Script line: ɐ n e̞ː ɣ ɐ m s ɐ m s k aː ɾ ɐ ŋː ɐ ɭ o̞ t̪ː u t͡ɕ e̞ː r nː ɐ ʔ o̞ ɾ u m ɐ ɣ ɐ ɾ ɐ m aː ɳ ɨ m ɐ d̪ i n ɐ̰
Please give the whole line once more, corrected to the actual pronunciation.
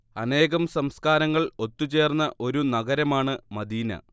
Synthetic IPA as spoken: ɐ n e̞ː ɣ ɐ m s ɐ m s k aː ɾ ɐ ŋː ɐ ɭ o̞ t̪ː u t͡ɕ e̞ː r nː ɐ ʔ o̞ ɾ u n ɐ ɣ ɐ ɾ ɐ m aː ɳ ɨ m ɐ d̪ iː n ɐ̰